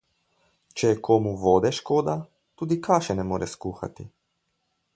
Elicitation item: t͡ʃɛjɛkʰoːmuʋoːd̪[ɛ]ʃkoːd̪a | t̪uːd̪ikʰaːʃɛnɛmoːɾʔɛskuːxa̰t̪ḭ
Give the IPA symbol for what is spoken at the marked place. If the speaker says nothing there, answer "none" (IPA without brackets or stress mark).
ɛ